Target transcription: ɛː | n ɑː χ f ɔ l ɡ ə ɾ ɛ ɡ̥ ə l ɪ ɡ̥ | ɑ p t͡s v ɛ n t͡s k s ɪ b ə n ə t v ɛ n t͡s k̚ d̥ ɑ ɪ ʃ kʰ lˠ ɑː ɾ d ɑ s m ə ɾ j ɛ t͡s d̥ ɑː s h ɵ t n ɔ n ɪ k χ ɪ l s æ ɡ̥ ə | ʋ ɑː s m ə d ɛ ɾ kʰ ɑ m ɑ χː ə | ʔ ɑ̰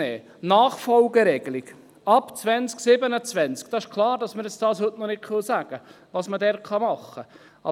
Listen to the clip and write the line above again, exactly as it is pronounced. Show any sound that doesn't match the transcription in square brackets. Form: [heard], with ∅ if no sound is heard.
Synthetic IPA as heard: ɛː | n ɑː χ f ɔ l ɡ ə ɾ ɛ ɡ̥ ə l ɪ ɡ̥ | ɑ p t͡s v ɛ n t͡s k s ɪ b ə n ə [t͡s] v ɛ n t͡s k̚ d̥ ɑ ɪ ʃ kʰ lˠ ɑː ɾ d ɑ s m ə ɾ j ɛ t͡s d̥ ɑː s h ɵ t n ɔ n ɪ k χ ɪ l s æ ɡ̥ ə | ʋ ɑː s m ə d ɛ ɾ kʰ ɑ m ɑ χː ə | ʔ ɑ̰